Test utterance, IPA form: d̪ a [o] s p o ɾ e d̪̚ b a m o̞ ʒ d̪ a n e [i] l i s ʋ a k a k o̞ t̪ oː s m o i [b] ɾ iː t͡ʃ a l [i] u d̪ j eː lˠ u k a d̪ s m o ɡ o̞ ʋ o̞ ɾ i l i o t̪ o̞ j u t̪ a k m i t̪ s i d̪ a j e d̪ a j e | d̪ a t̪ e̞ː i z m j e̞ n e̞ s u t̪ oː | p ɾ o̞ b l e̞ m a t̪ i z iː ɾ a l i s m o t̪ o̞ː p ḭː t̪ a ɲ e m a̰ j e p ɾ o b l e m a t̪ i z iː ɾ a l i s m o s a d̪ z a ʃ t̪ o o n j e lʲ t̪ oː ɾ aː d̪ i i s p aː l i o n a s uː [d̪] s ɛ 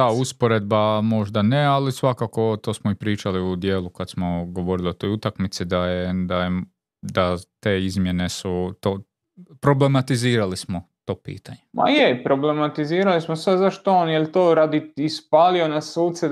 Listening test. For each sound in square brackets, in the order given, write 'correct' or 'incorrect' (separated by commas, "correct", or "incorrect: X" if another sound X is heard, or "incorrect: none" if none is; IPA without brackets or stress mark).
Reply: incorrect: u, incorrect: a, incorrect: p, correct, incorrect: t̪